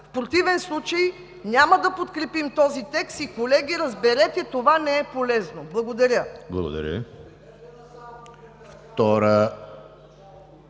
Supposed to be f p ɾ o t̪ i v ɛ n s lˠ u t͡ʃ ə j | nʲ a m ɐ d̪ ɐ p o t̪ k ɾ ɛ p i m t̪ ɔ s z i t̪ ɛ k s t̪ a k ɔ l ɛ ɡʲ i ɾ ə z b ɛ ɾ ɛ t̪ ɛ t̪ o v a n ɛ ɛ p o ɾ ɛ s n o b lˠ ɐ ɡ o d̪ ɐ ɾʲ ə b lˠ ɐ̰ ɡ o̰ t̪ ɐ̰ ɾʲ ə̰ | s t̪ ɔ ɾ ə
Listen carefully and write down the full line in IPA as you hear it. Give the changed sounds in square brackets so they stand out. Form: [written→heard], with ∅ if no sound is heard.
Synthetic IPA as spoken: f p ɾ o t̪ i v ɛ n s lˠ u t͡ʃ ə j | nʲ a m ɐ d̪ ɐ p o t̪ k ɾ ɛ p i m t̪ ɔ [s→∅] z i t̪ ɛ k s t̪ [a→i] k [ɔ→o] l ɛ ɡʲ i ɾ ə z b ɛ ɾ ɛ t̪ ɛ t̪ o v a n ɛ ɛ p o [ɾ→l] ɛ [s→z] n o b lˠ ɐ ɡ o d̪ ɐ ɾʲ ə b lˠ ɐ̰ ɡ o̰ [t̪→d̪] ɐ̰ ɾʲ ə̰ | [s→f] t̪ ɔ ɾ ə